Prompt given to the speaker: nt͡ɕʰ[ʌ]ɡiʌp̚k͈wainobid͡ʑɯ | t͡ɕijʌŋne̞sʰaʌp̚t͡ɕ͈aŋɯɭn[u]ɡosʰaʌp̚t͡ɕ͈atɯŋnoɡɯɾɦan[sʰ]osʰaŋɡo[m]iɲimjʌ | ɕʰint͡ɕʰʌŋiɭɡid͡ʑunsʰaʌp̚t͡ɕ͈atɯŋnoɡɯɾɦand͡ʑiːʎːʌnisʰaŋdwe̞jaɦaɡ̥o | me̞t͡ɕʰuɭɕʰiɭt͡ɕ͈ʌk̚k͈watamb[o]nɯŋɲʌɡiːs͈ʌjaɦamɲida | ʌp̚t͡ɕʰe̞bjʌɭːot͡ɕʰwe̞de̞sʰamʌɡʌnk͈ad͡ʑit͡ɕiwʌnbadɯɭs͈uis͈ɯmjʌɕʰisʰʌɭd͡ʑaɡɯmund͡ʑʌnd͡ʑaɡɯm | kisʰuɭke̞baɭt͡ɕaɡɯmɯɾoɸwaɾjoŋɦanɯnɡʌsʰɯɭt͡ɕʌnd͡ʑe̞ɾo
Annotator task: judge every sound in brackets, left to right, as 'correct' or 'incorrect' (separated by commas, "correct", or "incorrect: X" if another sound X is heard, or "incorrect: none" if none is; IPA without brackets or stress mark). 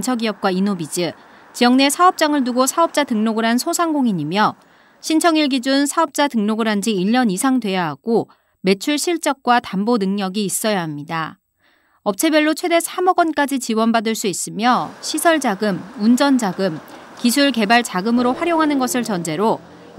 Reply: correct, correct, correct, incorrect: ŋ, correct